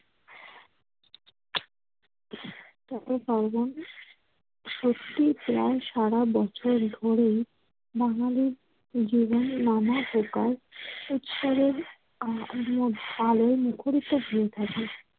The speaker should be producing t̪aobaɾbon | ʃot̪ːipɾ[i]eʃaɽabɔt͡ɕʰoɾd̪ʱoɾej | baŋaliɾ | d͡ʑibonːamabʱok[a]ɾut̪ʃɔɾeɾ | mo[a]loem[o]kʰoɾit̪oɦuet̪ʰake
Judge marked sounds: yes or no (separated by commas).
no, yes, yes, no